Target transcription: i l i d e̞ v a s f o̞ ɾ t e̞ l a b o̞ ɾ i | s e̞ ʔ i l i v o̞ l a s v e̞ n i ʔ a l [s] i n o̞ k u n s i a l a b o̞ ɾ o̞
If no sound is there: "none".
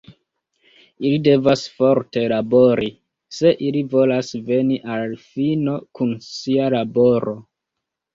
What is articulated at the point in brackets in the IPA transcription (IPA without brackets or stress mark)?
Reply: f